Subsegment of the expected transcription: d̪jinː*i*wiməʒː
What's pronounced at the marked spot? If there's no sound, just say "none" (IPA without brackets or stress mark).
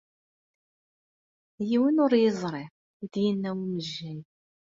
æ